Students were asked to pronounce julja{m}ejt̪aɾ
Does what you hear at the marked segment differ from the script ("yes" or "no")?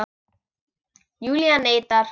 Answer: yes